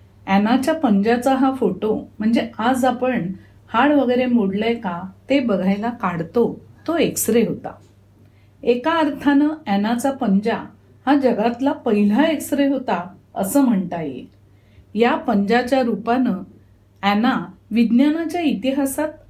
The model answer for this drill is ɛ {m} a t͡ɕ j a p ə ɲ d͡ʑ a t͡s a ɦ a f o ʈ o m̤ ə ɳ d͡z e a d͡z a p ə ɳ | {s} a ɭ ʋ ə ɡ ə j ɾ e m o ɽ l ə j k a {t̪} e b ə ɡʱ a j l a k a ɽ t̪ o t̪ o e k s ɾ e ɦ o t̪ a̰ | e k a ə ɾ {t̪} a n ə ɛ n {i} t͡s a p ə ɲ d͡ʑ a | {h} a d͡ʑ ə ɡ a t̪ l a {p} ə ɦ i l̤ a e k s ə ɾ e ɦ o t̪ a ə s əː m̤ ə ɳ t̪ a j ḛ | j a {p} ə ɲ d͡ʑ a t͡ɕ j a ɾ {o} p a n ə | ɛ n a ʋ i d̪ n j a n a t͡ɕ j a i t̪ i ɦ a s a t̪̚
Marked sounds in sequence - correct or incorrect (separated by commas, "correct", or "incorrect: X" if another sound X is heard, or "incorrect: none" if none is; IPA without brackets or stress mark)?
incorrect: n, incorrect: h, correct, incorrect: t̪ʰ, incorrect: a, correct, correct, correct, incorrect: u